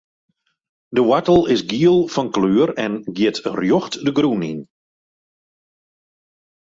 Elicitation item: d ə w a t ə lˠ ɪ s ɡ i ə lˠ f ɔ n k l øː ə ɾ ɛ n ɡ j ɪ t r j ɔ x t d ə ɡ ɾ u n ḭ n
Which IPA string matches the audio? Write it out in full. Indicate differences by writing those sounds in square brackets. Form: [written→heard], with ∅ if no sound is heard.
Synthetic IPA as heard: d ə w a t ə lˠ ɪ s ɡ i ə lˠ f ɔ n k l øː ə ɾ ɛ n ɡ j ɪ t r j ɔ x t d ə ɡ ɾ u n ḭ n